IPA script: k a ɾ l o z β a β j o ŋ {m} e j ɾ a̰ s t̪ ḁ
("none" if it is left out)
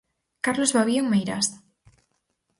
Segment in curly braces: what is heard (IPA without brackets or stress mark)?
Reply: m